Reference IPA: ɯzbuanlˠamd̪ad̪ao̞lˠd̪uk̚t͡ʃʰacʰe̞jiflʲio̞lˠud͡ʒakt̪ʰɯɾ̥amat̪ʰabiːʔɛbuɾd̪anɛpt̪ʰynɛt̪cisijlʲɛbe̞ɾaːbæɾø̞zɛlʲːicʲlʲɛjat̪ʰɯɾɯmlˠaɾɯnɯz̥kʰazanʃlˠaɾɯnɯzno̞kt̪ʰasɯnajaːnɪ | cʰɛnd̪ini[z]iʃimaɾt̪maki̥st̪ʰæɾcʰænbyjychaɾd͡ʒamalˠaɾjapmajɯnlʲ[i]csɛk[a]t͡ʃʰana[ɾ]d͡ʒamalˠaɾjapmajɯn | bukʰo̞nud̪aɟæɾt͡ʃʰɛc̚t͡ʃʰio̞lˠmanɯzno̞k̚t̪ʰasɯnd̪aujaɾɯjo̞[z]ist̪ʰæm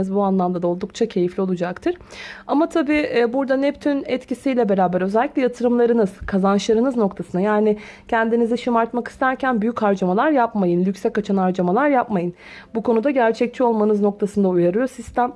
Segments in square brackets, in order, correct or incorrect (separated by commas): correct, incorrect, correct, correct, incorrect